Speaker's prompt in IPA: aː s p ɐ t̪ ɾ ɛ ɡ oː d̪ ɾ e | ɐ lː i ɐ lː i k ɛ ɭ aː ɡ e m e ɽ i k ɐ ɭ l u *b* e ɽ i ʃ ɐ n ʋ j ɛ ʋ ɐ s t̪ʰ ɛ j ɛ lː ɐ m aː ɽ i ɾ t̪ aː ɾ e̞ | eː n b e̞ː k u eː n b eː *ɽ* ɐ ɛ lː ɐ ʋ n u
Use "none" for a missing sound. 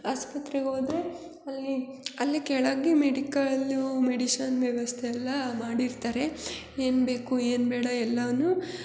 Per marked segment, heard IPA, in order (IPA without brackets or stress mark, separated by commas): m, ɽ